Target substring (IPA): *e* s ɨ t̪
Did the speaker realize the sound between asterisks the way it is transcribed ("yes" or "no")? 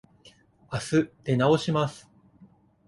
no